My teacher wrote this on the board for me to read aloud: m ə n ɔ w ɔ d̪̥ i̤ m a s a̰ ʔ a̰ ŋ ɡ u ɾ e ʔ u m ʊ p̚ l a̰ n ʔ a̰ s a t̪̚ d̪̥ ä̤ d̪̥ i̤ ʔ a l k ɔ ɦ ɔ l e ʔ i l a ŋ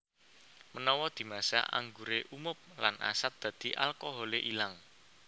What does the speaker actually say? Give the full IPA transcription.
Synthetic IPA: m ə n ɔ w ɔ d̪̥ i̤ m a s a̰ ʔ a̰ ŋ ɡ u ɾ e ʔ u m ʊ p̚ l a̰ n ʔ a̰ s a t̪̚ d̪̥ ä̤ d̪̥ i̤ ʔ a l k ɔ ɦ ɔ l e ʔ i l a ŋ